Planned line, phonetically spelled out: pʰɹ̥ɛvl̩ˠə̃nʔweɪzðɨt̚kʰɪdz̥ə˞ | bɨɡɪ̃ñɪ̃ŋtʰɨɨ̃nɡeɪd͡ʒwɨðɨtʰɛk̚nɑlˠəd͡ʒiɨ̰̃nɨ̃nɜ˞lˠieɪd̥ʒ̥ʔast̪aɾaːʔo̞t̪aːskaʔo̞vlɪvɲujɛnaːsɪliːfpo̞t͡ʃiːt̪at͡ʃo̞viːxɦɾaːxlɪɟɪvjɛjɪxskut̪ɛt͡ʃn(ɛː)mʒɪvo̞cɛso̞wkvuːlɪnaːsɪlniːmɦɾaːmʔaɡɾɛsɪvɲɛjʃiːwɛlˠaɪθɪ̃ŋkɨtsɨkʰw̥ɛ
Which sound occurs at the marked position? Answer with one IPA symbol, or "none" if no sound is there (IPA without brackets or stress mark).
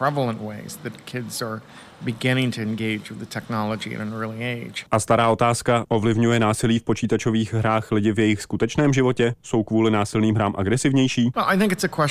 ɛː